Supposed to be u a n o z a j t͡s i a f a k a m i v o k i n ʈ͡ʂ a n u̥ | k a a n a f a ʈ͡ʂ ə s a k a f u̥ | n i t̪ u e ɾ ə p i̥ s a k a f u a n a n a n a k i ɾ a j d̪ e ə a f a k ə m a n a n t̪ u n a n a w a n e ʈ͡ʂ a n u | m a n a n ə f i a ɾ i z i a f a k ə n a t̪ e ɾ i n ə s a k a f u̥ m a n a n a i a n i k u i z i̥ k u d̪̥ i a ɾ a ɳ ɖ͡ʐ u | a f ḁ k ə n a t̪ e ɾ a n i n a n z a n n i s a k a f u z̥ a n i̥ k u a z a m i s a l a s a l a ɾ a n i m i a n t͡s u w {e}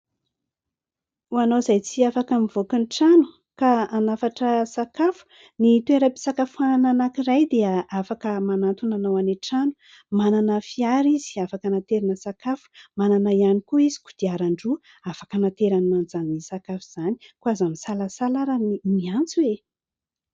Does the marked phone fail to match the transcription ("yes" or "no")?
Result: no